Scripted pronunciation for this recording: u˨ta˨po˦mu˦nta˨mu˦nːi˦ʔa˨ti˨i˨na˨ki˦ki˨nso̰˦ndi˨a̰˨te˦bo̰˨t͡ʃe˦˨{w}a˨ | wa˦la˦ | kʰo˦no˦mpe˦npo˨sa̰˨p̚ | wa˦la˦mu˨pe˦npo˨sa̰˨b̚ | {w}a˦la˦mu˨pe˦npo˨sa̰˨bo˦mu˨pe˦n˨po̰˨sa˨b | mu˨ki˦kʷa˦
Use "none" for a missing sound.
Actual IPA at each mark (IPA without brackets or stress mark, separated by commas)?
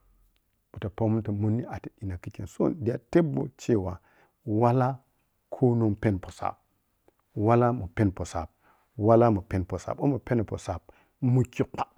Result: w, w